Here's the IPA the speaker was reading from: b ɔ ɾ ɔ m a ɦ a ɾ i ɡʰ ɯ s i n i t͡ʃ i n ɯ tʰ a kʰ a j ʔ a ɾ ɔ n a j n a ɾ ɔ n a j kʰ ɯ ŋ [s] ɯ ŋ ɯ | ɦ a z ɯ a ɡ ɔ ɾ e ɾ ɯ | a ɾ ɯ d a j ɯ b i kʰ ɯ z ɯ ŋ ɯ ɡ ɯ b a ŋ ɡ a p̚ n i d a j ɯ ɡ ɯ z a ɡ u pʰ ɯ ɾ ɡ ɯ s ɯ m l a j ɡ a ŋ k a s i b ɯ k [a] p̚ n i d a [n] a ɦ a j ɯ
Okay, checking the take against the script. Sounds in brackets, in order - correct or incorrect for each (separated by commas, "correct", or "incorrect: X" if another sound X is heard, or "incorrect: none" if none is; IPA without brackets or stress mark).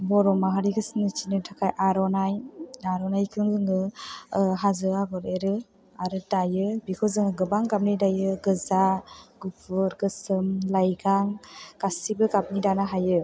incorrect: z, correct, correct